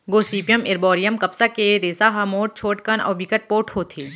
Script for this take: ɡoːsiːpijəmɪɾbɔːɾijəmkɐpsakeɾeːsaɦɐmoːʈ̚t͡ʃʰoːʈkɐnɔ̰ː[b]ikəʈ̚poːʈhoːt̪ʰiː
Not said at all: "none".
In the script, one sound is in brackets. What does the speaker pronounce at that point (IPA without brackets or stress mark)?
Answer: b